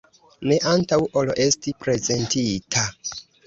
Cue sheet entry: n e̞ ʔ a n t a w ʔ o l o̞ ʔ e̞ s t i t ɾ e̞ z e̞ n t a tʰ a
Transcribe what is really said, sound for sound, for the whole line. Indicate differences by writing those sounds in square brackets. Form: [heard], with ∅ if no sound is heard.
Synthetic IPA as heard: n e̞ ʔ a n t a w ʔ o l o̞ ʔ e̞ s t i [p] ɾ e̞ z e̞ n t [i] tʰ a